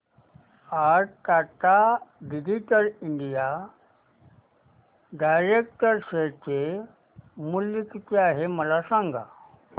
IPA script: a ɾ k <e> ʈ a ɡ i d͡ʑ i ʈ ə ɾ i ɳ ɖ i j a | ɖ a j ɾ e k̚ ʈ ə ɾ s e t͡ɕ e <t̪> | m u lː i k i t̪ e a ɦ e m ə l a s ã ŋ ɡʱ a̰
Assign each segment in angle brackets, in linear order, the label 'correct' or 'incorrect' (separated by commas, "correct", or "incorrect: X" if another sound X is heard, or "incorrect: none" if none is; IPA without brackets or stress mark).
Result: incorrect: a, incorrect: none